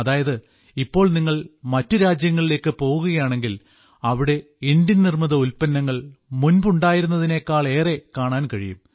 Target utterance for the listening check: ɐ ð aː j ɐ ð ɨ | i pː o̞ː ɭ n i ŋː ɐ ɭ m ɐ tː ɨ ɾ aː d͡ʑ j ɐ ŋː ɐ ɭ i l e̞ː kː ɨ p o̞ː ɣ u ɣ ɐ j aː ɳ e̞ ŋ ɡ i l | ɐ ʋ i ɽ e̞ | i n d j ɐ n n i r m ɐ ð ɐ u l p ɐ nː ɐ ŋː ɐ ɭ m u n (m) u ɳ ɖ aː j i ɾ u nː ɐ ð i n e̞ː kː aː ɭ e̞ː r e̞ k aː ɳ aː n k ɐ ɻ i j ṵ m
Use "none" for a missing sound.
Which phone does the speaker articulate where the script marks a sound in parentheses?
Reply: b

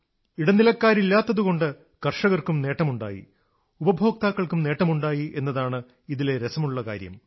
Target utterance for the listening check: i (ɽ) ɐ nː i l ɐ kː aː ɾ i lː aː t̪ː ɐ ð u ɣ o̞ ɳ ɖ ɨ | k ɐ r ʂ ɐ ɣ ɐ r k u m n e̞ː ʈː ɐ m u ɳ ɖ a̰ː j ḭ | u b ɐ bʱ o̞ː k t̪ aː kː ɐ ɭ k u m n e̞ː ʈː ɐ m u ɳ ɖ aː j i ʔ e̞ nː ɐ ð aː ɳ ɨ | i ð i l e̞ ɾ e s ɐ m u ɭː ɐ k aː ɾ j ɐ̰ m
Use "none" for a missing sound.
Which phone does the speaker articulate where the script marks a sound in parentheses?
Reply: ɽ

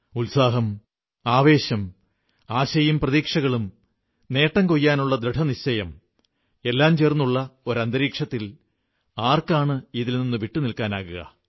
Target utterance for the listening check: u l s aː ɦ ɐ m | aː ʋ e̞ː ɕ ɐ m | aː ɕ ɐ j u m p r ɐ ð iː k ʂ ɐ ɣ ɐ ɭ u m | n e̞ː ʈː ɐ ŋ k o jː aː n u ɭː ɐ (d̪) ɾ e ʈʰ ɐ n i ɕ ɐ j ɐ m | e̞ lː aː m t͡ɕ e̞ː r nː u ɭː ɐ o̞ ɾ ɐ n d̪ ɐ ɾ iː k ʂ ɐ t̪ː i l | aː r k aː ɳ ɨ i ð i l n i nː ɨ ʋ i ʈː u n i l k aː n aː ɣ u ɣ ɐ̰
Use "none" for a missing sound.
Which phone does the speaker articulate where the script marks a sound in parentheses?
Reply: d̪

